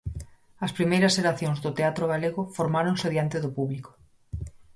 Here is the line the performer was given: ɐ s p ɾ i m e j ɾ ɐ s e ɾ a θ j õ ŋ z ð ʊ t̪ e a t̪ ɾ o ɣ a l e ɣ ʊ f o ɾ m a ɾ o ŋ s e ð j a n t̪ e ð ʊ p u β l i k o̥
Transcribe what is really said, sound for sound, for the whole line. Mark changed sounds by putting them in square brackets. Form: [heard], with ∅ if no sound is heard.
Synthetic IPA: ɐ s p ɾ i m e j ɾ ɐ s e ɾ a θ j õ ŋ z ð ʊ t̪ e a t̪ ɾ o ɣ a l e ɣ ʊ f o ɾ m a ɾ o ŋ s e ð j a n t̪ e ð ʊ p u β l i k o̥